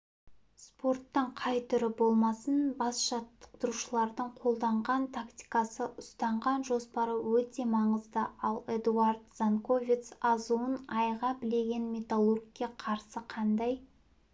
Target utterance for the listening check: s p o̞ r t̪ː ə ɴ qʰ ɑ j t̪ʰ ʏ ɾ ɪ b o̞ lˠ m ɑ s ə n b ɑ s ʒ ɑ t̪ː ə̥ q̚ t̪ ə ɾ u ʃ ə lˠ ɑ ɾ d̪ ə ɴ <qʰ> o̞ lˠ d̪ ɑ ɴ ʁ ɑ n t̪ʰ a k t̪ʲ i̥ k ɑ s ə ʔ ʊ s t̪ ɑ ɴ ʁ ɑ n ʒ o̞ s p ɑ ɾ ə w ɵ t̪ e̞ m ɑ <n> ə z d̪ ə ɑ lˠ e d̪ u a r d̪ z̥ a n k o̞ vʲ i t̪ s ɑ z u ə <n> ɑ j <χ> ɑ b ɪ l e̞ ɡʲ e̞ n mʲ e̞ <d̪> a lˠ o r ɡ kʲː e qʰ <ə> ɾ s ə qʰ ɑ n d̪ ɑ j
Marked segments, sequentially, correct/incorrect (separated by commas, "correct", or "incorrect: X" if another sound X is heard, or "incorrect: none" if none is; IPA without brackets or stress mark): correct, incorrect: ɴ, correct, incorrect: ʁ, incorrect: t̪, incorrect: ɑ